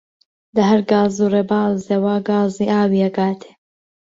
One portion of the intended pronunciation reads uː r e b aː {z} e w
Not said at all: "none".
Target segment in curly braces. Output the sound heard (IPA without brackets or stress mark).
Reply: z